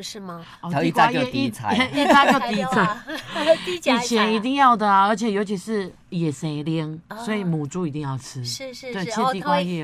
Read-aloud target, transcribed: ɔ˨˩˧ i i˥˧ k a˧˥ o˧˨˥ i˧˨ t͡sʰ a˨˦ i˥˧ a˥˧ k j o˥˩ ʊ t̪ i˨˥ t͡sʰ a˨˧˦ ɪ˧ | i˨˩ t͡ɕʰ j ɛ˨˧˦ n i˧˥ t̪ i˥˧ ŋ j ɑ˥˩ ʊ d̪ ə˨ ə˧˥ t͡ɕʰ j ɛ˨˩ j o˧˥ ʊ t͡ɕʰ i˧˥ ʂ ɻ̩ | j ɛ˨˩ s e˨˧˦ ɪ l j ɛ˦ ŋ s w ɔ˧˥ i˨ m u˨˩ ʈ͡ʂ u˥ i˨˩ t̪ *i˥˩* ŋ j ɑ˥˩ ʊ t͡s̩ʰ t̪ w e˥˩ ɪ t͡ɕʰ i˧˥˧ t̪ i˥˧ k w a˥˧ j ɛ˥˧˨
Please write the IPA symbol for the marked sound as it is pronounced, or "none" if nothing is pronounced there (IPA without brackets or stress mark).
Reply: i˥˧